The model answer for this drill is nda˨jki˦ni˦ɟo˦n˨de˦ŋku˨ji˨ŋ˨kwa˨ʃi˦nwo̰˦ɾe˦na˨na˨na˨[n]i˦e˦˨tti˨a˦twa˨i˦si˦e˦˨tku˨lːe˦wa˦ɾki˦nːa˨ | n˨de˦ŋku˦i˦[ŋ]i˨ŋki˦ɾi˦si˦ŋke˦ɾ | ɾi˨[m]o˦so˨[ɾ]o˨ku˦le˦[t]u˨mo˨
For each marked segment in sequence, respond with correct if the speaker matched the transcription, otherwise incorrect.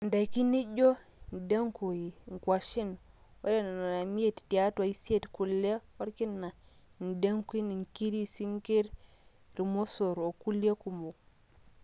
incorrect, incorrect, correct, correct, incorrect

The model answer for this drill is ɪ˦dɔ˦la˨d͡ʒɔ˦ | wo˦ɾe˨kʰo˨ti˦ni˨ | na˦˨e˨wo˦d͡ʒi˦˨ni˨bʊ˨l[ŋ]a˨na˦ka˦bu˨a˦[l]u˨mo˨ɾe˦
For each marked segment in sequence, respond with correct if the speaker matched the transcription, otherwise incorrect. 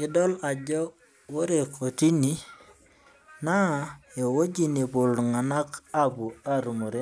correct, incorrect

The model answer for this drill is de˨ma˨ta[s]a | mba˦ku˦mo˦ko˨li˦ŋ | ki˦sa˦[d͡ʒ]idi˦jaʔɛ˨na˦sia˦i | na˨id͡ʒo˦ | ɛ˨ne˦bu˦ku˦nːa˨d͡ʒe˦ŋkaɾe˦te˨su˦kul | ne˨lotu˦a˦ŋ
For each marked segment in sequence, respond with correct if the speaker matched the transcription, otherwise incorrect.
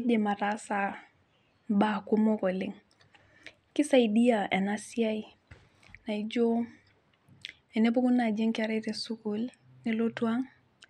correct, incorrect

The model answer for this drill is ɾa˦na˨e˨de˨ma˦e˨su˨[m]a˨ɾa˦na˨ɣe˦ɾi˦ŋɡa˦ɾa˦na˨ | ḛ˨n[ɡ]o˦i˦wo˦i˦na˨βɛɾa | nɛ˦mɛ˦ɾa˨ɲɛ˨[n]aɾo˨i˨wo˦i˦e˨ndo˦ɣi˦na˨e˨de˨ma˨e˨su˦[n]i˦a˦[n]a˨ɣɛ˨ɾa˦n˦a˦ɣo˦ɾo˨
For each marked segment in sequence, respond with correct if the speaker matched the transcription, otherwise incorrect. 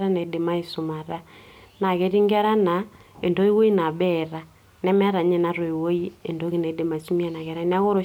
correct, incorrect, correct, incorrect, correct

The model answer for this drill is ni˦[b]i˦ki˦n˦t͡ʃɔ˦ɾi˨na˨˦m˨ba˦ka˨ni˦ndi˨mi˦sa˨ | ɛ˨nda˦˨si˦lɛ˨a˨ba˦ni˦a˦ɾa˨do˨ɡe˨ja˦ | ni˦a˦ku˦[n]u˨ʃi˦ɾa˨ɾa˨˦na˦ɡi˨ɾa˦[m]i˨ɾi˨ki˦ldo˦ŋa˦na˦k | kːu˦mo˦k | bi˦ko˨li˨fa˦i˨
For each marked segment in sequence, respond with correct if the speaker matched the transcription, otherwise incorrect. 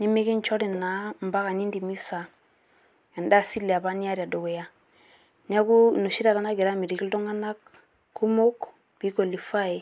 incorrect, correct, correct

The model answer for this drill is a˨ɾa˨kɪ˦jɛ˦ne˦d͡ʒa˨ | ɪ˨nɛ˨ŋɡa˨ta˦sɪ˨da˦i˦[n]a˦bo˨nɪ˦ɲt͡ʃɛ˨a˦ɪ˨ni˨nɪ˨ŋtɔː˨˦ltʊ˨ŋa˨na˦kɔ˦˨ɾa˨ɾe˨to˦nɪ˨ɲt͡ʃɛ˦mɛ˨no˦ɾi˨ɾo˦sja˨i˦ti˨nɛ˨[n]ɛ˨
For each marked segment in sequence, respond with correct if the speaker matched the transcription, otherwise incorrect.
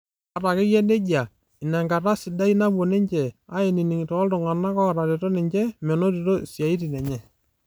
correct, incorrect

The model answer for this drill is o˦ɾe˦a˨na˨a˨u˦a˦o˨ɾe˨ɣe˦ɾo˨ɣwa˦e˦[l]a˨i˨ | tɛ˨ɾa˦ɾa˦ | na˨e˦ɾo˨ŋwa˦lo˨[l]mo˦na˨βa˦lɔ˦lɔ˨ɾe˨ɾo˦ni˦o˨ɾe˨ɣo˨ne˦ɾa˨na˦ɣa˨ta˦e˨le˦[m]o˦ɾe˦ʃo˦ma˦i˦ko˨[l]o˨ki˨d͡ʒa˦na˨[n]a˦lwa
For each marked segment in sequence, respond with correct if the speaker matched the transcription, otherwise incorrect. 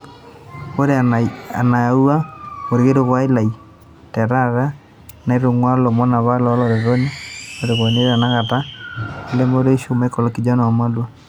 correct, incorrect, correct, correct, incorrect

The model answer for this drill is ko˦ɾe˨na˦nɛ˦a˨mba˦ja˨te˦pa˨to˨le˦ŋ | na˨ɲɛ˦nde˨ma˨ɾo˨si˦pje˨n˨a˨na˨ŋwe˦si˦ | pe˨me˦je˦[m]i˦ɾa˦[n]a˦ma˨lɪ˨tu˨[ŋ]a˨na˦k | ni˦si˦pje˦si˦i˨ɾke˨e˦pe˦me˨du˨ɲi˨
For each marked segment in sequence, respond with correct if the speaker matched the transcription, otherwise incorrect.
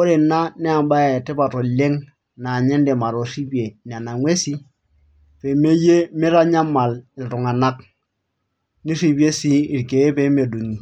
correct, incorrect, correct

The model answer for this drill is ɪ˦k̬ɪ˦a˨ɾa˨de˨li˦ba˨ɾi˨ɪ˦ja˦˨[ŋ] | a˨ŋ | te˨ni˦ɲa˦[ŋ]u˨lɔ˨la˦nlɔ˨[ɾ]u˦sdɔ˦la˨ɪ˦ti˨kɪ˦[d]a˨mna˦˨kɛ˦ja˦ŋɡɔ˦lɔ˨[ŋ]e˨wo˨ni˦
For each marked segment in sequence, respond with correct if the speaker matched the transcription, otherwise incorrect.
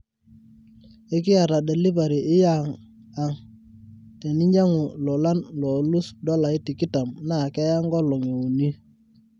correct, correct, incorrect, incorrect, correct

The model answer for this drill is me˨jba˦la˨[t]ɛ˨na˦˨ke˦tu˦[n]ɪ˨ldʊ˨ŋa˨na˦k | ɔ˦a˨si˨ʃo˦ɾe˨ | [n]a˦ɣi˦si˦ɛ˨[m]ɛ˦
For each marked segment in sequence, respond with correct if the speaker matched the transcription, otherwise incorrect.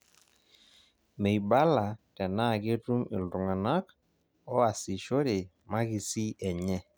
correct, incorrect, incorrect, incorrect

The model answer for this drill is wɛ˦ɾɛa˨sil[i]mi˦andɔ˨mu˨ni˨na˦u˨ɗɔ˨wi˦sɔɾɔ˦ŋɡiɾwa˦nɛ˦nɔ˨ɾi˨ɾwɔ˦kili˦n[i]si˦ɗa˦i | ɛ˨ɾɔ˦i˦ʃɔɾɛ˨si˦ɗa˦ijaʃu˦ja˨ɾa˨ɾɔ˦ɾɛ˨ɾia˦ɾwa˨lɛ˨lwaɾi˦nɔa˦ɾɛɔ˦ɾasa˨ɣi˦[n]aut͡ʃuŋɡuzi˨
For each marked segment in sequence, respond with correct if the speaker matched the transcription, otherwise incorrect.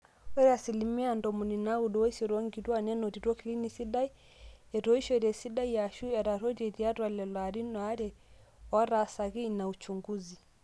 correct, correct, correct

